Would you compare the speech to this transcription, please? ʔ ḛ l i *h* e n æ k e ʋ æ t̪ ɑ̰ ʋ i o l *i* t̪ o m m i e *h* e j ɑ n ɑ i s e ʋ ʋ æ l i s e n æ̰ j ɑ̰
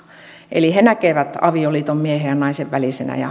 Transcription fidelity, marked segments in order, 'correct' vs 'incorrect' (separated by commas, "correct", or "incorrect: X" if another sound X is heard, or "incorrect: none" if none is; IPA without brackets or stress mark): correct, incorrect: iː, correct